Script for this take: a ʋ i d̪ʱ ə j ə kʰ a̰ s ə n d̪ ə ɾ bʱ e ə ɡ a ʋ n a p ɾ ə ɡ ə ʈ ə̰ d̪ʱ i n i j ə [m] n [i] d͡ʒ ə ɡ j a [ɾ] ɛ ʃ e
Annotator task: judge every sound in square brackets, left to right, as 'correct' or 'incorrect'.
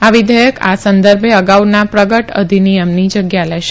correct, correct, incorrect: l

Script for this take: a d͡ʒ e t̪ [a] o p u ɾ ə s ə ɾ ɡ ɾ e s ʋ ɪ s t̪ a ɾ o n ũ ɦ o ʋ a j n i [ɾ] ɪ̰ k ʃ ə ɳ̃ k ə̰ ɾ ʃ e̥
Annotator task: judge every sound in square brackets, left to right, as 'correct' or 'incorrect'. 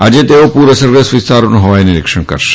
incorrect: e, correct

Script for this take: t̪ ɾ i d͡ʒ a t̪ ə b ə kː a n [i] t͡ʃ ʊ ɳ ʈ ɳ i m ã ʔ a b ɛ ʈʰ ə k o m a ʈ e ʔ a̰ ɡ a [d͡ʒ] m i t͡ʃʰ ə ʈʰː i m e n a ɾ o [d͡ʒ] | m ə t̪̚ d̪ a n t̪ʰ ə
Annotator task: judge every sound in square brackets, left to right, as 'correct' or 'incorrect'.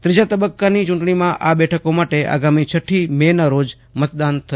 correct, incorrect: none, correct

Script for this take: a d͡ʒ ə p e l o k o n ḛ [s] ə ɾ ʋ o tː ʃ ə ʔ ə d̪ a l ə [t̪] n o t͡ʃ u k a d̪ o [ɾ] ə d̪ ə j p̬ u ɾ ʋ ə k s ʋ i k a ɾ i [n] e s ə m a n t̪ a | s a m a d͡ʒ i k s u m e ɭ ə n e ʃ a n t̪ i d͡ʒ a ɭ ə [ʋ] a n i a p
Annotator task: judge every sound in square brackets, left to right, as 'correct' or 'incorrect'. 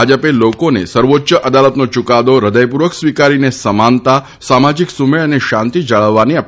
correct, correct, correct, correct, incorrect: ʋː

